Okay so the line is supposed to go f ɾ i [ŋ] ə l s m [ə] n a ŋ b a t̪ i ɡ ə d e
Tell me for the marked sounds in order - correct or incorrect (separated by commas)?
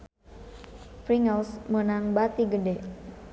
correct, correct